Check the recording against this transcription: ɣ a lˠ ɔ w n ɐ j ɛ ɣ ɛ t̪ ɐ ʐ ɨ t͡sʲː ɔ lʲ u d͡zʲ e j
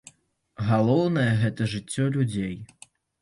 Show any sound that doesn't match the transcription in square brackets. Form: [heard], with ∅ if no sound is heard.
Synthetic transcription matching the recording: ɣ a lˠ ɔ w n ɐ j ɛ ɣ ɛ t̪ ɐ ʐ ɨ t͡sʲː ɔ lʲ u d͡zʲ e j